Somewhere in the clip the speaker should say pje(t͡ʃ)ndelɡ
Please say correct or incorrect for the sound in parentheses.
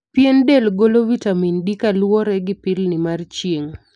incorrect